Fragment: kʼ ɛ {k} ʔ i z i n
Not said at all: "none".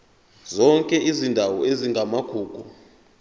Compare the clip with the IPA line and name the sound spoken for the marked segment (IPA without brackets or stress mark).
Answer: none